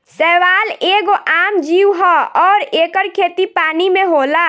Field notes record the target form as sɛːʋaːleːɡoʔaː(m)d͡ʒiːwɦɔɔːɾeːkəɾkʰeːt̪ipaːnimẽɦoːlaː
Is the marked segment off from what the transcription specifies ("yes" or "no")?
no